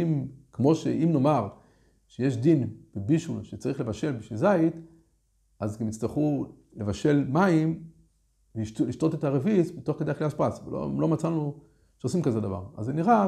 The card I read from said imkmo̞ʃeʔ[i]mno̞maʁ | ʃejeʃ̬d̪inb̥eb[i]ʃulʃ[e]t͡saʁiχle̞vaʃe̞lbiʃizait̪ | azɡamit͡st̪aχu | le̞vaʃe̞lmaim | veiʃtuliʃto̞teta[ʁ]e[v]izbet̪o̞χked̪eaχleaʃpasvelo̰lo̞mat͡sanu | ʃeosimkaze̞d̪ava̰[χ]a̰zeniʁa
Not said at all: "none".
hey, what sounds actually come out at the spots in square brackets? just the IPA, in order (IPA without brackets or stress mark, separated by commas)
i, i, e, ʁ, v, ʁ